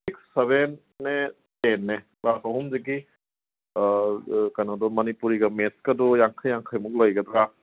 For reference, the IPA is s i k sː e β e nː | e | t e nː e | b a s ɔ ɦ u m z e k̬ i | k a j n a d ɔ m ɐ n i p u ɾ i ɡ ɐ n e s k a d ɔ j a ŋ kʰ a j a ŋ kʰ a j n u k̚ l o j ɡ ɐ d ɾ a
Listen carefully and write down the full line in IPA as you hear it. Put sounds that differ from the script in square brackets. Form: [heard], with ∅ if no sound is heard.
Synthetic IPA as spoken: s i k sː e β e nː | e | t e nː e | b a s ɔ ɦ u m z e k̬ i | k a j n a d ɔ m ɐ n i p u ɾ i ɡ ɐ [m] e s k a d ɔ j a ŋ kʰ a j a ŋ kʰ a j [m] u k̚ l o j ɡ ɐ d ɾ a

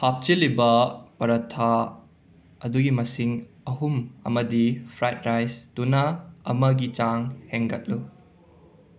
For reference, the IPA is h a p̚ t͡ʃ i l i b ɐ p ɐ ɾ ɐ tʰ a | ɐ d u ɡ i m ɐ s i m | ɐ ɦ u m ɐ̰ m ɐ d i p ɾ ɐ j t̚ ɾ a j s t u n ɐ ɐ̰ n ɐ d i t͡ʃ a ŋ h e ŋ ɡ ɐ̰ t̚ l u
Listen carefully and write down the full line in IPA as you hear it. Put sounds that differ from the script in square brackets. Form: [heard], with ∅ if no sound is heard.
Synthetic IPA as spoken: h a p̚ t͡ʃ i l i b ɐ p ɐ ɾ ɐ tʰ a | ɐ d u ɡ i m ɐ s i [ŋ] | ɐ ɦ u m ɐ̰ m ɐ d i [pʰ] ɾ [a] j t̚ ɾ a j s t u n ɐ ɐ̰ [m] ɐ [ɡ] i t͡ʃ a ŋ h e ŋ ɡ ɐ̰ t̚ l u

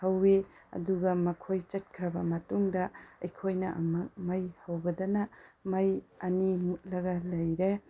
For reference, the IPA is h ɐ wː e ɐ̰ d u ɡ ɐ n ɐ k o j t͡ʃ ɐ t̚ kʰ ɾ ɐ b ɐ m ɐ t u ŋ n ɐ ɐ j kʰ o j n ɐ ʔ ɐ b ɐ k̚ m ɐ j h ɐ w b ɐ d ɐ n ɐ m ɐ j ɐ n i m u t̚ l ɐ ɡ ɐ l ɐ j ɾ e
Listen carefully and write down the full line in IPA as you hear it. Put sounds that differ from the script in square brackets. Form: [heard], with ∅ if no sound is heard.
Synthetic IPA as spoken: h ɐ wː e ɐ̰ d u ɡ ɐ [m] ɐ [kʰ] o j t͡ʃ ɐ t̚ kʰ ɾ ɐ b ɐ m ɐ t u ŋ [d] ɐ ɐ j kʰ o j n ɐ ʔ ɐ [m] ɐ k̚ m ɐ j h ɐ w b ɐ d ɐ n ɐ m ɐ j ɐ n i m u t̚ l ɐ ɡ ɐ l ɐ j ɾ e

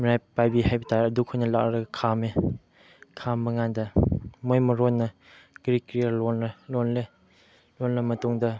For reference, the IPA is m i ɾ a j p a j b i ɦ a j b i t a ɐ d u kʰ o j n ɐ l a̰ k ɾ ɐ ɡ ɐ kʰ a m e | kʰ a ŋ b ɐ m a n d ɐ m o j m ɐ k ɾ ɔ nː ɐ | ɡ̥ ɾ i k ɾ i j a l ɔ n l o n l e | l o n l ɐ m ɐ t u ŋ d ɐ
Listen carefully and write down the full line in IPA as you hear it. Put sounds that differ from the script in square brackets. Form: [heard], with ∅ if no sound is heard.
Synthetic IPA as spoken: m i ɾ a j p a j b i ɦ a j b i t a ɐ d u kʰ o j n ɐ l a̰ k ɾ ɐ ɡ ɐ kʰ a m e | kʰ a [m] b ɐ [ŋ] a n d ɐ m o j m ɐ [∅] ɾ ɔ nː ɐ | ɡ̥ ɾ i k ɾ i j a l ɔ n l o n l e | l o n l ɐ m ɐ t u ŋ d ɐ

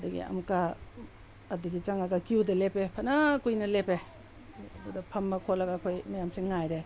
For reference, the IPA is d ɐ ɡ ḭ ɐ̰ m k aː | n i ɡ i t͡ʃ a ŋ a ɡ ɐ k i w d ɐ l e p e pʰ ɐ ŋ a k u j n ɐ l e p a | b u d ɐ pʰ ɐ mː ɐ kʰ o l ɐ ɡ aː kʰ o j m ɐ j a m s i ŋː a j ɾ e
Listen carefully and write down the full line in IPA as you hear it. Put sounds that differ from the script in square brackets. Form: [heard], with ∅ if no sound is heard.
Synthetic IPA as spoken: d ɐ ɡ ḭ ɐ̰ m k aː | [d] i ɡ i t͡ʃ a ŋ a ɡ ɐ k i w d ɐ l e p e pʰ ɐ [n] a k u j n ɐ l e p [e] | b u d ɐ pʰ ɐ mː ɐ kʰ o l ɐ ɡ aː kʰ o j m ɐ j a m s i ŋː a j ɾ e

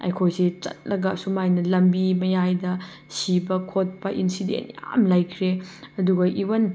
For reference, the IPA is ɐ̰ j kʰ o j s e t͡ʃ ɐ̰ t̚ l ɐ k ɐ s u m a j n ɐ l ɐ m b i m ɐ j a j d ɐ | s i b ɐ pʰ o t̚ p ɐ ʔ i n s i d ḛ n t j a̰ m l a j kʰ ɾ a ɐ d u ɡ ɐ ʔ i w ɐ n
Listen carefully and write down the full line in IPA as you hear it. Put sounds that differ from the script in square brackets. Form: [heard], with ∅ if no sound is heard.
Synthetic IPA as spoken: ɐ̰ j kʰ o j s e t͡ʃ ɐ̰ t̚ l ɐ [ɡ] ɐ s u m a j n ɐ l ɐ m b i m ɐ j a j d ɐ | s i b ɐ [kʰ] o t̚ p ɐ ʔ i n s i d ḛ n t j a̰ m l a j kʰ ɾ [e] ɐ d u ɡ ɐ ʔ i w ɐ n

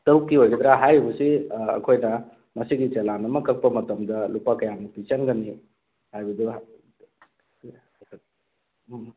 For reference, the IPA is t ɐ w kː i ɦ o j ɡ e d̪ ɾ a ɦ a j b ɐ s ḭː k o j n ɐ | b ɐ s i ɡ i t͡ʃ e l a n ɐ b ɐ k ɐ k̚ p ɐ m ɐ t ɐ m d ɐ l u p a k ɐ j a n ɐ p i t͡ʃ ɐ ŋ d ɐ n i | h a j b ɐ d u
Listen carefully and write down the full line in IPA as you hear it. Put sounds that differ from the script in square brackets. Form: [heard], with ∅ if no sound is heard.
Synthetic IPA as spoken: t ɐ w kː i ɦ o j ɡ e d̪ ɾ a ɦ a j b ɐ s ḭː [kʰ] o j n ɐ | [m] ɐ s i ɡ i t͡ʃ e l a n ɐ [m] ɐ k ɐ k̚ p ɐ m ɐ t ɐ m d ɐ l u p a k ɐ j a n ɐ p i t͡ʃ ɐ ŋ [ɡ] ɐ n i | h a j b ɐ d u

